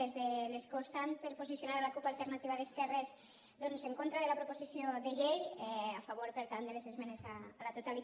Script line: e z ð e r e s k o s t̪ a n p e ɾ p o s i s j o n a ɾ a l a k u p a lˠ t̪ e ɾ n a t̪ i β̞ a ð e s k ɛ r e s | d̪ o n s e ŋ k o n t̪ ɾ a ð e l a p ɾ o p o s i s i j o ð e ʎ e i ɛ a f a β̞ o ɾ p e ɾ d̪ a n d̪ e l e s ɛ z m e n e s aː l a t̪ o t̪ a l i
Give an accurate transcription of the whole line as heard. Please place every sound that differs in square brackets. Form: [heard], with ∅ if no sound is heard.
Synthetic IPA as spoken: e z ð e [l] e s k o s t̪ a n p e ɾ p o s i s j o n a ɾ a l a k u p a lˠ t̪ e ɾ n a t̪ i β̞ a ð e s k ɛ r e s | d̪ o n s e ŋ k o n t̪ ɾ a ð e l a p ɾ o p o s i s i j o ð e ʎ e [j] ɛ a f a β̞ o ɾ p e ɾ [t̪] a n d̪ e l e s [e] z m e n e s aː l a t̪ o t̪ a l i